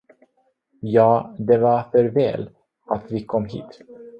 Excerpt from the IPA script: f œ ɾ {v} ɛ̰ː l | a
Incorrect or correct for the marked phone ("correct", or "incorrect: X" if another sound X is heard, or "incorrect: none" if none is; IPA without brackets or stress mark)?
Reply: correct